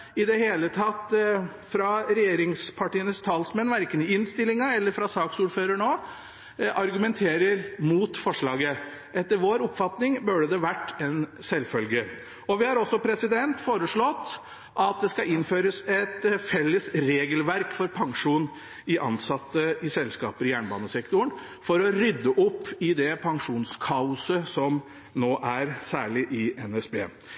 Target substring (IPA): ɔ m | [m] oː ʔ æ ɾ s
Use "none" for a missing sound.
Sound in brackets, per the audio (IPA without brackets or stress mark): n